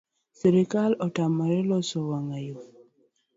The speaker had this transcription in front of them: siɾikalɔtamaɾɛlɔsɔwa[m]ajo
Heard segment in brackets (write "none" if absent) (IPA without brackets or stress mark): ŋ